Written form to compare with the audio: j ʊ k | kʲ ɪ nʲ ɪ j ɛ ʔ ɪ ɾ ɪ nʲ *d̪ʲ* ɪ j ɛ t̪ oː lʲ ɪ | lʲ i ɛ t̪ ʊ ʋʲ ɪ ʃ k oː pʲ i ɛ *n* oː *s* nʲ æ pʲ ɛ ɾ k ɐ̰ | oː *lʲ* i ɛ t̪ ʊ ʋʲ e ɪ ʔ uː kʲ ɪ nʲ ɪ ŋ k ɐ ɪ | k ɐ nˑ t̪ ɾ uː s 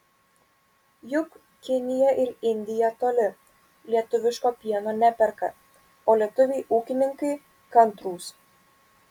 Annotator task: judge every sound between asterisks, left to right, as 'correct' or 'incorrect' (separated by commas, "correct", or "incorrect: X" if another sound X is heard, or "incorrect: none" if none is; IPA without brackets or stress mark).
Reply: correct, correct, incorrect: none, correct